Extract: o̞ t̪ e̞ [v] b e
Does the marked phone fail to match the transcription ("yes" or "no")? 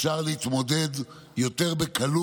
yes